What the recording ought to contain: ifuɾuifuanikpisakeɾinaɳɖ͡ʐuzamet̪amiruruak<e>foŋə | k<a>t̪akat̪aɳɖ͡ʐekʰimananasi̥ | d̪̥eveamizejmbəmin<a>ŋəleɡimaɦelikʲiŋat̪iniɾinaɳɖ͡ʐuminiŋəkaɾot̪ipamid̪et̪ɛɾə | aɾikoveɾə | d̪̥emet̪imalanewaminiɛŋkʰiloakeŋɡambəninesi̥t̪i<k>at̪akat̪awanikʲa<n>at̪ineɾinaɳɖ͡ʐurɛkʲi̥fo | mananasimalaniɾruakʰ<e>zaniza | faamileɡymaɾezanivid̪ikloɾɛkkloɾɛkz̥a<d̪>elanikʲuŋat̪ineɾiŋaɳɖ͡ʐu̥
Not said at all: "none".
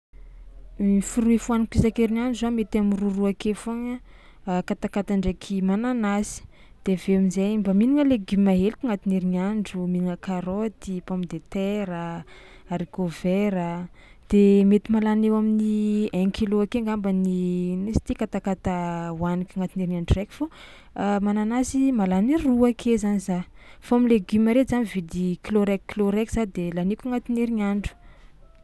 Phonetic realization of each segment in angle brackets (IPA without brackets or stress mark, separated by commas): e, a, i, k, ŋ, e, d̪